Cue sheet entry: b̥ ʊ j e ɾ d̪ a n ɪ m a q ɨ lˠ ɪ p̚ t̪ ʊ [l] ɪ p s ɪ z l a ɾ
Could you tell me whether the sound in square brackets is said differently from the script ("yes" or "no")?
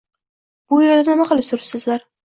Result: yes